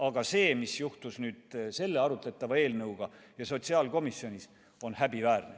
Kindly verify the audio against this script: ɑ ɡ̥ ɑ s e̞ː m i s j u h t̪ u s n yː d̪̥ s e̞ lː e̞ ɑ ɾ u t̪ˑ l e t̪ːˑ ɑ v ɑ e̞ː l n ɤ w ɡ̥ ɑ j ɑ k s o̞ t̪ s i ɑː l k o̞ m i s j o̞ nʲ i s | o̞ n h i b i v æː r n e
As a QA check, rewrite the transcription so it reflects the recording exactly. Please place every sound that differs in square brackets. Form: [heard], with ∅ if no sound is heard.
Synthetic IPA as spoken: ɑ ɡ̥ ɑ s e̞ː m i s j u h t̪ u s n yː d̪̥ s e̞ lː e̞ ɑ ɾ u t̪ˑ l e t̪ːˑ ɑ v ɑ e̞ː l n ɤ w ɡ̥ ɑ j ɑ [∅] s o̞ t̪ s i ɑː l k o̞ m i s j o̞ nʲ i s | o̞ n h [æ] b i v æː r n e